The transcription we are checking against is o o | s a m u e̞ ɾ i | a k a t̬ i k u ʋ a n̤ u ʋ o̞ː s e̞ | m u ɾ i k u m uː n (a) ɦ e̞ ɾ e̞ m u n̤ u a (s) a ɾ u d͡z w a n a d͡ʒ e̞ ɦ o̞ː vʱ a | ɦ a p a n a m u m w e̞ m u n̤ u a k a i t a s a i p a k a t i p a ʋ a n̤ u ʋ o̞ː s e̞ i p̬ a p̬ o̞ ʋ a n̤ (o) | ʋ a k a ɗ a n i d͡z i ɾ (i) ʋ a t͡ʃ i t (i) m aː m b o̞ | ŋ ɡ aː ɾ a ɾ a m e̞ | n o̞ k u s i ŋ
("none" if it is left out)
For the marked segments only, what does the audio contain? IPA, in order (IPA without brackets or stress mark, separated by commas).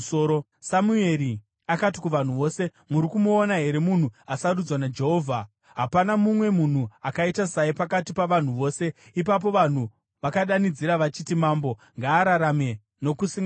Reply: a, s, u, a, i